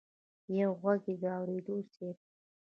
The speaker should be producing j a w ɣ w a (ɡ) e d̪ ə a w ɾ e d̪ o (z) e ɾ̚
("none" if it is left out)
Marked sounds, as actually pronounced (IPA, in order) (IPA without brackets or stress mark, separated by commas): ɡ, s